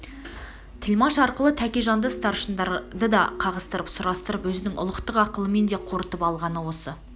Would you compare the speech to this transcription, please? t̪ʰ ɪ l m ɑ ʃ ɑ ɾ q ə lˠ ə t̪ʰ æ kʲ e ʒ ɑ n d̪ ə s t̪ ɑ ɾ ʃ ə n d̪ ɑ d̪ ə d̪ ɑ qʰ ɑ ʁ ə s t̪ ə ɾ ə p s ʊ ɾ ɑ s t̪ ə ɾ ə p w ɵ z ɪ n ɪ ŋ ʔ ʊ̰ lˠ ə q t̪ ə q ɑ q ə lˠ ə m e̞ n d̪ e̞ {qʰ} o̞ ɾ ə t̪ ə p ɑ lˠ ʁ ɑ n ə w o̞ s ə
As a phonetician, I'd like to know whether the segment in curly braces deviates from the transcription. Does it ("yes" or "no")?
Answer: no